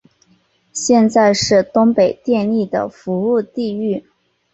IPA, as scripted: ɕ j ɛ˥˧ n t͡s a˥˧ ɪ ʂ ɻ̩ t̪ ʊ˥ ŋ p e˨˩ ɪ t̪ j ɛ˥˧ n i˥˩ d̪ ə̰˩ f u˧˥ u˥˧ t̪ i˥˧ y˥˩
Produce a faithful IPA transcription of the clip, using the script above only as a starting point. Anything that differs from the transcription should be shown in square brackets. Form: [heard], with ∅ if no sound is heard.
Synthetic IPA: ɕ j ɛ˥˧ n t͡s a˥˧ ɪ ʂ ɻ̩ t̪ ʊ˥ ŋ p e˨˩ ɪ t̪ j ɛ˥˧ n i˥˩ d̪ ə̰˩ f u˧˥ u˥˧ t̪ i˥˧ y˥˩